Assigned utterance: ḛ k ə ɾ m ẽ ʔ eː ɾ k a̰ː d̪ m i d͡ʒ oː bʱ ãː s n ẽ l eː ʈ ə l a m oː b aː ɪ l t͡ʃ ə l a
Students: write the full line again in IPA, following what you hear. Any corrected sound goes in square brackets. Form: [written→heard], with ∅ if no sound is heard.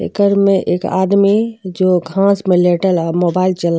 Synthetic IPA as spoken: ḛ k ə ɾ m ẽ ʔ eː [ɾ→∅] k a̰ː d̪ m i d͡ʒ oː [bʱ→ɡʱ] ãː s [n→m] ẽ l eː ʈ ə l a m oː b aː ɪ l t͡ʃ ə l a